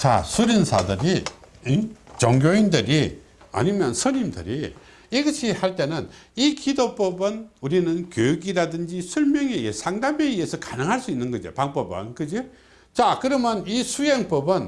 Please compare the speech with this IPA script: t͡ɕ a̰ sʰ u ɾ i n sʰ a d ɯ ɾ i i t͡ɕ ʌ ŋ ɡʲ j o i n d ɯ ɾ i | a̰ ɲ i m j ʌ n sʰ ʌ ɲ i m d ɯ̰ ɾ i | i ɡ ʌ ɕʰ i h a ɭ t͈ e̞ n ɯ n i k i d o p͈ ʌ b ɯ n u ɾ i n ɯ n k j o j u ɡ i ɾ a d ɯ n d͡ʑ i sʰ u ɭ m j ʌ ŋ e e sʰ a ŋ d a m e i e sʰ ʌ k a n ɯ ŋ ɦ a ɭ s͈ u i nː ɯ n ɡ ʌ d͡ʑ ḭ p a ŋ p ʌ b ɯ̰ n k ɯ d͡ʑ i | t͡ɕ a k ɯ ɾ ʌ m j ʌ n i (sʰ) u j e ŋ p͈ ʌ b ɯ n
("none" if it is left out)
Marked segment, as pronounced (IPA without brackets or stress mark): sʰ